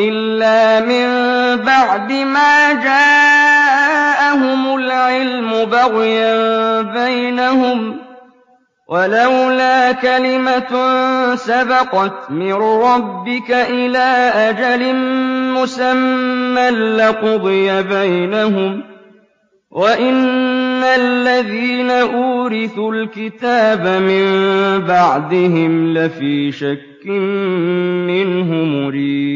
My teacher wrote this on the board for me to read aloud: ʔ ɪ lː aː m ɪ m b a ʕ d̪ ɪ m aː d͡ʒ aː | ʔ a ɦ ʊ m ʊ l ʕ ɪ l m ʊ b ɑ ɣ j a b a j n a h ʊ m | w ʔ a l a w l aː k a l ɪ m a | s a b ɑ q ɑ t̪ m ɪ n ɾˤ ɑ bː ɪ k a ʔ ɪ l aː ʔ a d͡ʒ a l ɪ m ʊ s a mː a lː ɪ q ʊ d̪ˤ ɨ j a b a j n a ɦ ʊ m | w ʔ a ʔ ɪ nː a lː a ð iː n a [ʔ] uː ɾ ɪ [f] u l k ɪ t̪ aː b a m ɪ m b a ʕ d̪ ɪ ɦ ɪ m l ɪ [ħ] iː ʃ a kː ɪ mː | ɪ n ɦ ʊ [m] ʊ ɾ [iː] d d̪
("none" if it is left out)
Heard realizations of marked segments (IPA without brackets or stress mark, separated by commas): ʔ, θ, f, m, iː